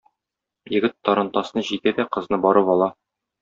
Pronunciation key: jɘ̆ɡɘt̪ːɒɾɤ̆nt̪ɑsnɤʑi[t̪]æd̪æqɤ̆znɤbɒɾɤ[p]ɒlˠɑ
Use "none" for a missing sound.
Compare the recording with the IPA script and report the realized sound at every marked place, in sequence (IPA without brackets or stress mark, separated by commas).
t̪, p